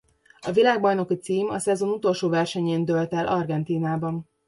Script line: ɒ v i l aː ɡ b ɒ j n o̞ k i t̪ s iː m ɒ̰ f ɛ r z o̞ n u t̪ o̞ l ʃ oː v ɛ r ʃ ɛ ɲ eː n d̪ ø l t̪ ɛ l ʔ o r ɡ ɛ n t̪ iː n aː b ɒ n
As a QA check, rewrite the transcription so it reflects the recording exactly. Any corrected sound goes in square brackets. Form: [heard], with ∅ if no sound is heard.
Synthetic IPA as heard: ɒ v i l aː ɡ b ɒ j n o̞ k i t̪ s iː m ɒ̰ [s] ɛ [∅] z o̞ n u t̪ o̞ l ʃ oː v ɛ r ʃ ɛ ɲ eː n d̪ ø l t̪ ɛ l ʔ [ɒ] r ɡ ɛ n t̪ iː n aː b ɒ n